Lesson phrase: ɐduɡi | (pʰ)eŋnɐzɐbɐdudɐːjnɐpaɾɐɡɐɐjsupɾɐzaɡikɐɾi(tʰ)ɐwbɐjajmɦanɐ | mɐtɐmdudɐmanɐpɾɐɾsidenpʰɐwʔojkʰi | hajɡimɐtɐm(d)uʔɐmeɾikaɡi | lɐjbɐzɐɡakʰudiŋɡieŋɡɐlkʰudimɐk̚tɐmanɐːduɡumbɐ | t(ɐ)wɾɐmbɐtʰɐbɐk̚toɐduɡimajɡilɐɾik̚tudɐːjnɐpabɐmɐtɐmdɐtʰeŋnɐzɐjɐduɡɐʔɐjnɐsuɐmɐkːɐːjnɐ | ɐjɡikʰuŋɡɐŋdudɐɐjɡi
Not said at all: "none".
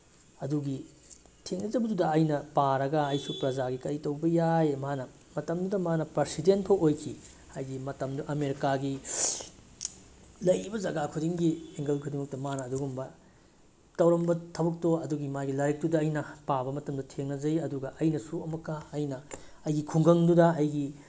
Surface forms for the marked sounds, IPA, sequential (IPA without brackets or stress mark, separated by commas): tʰ, t, d, ɐ